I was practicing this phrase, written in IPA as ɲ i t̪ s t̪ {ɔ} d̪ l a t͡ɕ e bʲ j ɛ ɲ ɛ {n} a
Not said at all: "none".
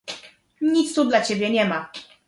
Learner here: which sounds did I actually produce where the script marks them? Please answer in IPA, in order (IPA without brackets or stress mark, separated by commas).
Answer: u, m